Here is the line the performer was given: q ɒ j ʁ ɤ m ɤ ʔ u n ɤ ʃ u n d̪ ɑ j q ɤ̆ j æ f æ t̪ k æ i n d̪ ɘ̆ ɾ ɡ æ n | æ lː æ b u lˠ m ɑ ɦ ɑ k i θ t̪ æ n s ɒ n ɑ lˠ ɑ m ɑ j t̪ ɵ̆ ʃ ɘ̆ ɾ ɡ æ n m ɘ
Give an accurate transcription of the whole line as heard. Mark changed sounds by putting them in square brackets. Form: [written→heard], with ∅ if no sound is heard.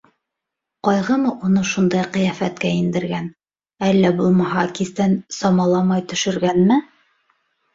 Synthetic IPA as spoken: q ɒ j ʁ ɤ m ɤ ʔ u n ɤ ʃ u n d̪ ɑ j q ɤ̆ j æ f æ t̪ k æ i n d̪ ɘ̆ ɾ ɡ æ n | æ lː æ b u lˠ m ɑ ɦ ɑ k i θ t̪ æ n s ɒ [n→m] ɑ lˠ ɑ m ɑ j t̪ ɵ̆ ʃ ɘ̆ ɾ ɡ æ n m ɘ